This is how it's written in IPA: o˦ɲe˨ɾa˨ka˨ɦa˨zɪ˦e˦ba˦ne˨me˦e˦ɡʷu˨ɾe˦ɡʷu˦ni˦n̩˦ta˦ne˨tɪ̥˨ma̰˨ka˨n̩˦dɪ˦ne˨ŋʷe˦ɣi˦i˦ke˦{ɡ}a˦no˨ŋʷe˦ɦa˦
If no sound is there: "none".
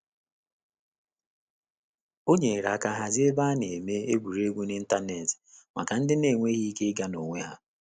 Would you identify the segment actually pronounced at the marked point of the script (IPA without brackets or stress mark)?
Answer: ɡ